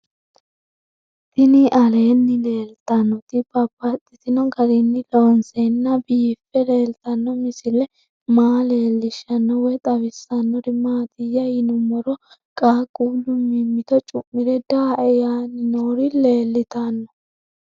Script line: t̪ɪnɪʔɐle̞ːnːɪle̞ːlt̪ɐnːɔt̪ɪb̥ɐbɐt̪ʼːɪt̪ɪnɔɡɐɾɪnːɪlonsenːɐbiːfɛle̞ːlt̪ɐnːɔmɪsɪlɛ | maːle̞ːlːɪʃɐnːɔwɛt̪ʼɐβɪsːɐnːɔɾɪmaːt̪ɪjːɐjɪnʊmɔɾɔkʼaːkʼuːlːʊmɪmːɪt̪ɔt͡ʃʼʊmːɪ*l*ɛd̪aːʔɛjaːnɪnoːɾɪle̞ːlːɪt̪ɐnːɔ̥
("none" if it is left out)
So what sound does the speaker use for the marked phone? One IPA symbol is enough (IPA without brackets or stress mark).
ɾ